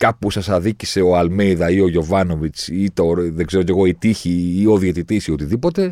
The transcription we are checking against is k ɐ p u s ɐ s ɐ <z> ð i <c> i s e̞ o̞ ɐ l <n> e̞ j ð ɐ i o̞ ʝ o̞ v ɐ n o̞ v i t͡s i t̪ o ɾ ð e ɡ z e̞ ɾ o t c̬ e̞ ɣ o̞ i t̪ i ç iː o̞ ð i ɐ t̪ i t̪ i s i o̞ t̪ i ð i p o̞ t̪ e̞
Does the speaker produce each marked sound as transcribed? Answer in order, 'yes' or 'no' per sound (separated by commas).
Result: no, yes, no